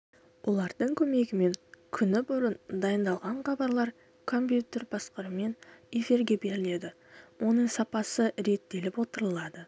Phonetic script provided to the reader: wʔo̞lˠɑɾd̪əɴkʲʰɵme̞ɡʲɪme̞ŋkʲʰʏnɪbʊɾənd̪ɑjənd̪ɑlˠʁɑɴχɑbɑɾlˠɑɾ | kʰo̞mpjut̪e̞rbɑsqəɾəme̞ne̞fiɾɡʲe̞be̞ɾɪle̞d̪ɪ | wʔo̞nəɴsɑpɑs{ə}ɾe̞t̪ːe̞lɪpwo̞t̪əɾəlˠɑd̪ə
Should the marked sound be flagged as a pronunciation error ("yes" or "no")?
no